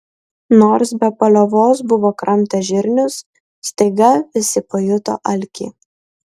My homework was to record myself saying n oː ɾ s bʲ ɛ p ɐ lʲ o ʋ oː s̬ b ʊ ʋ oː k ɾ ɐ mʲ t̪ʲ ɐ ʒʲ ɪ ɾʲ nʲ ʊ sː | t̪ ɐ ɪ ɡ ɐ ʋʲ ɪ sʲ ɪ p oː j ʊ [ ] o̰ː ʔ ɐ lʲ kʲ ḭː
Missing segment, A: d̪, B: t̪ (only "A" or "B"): B